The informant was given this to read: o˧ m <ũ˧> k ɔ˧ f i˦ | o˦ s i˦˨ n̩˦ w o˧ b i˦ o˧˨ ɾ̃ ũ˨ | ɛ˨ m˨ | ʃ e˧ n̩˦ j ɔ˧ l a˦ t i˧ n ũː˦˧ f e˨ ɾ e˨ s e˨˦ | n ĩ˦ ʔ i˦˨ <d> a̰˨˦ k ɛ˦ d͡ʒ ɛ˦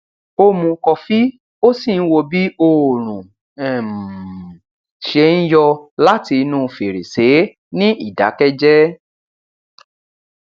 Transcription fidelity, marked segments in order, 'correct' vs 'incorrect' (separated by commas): correct, correct